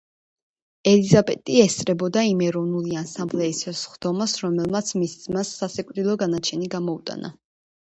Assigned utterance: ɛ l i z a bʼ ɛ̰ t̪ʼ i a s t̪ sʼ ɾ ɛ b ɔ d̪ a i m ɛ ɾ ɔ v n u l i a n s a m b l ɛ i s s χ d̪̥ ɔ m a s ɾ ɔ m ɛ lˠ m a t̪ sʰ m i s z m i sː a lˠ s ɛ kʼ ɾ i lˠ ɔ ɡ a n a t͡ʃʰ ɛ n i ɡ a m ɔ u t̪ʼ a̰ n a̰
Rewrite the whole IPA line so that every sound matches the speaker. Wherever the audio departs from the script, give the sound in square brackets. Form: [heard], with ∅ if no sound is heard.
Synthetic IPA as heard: ɛ l i z a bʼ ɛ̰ t̪ʼ i [ɛ] s t̪ sʼ ɾ ɛ b ɔ d̪ a i m ɛ ɾ ɔ v n u l i a n s a m b l ɛ i s s χ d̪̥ ɔ m a s ɾ ɔ m ɛ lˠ m a t̪ sʰ m i s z m [a] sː a [∅] s ɛ kʼ ɾ i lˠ ɔ ɡ a n a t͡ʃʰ ɛ n i ɡ a m ɔ u t̪ʼ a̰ n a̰

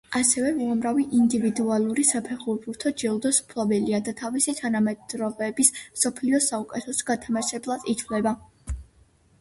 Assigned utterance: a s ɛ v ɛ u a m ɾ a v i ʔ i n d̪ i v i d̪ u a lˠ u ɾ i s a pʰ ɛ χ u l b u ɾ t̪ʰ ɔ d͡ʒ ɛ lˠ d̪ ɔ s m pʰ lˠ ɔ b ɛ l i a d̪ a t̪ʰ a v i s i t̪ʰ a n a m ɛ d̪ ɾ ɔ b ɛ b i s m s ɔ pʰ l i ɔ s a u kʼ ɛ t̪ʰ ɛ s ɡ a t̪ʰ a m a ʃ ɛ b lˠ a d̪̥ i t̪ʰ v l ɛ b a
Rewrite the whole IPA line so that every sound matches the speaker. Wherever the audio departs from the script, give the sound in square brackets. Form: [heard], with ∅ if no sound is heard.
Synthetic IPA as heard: a s ɛ v ɛ u a m ɾ a v i ʔ i n d̪ i v i d̪ u a lˠ u ɾ i s a pʰ ɛ χ u [ɾ] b u ɾ t̪ʰ ɔ d͡ʒ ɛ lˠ d̪ ɔ s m pʰ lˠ ɔ b ɛ l i a d̪ a t̪ʰ a v i s i t̪ʰ a n a m ɛ d̪ ɾ ɔ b ɛ b i s m s ɔ pʰ l i ɔ s a u kʼ ɛ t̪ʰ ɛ s ɡ a t̪ʰ a m a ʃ ɛ b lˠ a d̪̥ i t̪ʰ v l ɛ b a

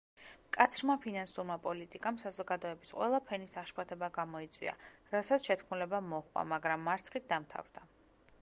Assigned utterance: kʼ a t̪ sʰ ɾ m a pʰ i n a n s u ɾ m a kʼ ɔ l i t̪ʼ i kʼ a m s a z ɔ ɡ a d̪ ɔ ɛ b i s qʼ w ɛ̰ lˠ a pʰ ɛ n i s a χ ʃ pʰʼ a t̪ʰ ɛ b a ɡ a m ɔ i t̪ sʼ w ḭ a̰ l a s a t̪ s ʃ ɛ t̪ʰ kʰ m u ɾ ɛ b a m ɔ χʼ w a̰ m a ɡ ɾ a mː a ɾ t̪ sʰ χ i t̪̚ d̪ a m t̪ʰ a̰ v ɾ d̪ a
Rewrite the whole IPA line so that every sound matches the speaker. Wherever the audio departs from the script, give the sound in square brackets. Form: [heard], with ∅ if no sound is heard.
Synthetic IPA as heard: kʼ a t̪ sʰ ɾ m a pʰ i n a n s u ɾ m a [pʼ] ɔ l i t̪ʼ i kʼ a m s a z ɔ ɡ a d̪ ɔ ɛ b i s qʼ w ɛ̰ lˠ a pʰ ɛ n i s a χ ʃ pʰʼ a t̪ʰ ɛ b a ɡ a m ɔ i t̪ sʼ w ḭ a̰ [ɾ] a s a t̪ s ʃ ɛ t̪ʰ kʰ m u [l] ɛ b a m ɔ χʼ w a̰ m a ɡ ɾ a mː a ɾ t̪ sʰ χ i t̪̚ d̪ a m t̪ʰ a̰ v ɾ d̪ a

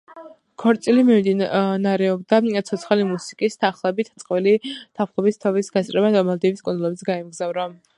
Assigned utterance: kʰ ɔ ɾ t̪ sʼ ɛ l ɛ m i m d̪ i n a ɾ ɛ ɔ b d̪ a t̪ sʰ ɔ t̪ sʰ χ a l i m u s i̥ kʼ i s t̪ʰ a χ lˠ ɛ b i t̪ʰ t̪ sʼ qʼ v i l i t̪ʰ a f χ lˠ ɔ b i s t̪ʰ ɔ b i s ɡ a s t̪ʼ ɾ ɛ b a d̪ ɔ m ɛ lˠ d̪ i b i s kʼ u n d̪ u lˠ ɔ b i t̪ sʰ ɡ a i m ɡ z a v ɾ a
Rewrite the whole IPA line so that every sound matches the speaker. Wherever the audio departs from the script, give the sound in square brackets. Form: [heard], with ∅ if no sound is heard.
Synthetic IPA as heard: kʰ ɔ ɾ t̪ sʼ [i] l [i] m i m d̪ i n a ɾ ɛ ɔ b d̪ a t̪ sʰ ɔ t̪ sʰ χ a l i m u s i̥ kʼ i s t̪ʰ a χ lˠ ɛ b i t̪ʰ t̪ sʼ qʼ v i l i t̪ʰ a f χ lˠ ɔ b i s t̪ʰ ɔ [v] i s ɡ a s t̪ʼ ɾ ɛ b a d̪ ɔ m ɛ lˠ d̪ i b i s kʼ u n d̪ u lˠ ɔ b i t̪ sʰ ɡ a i m ɡ z a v ɾ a

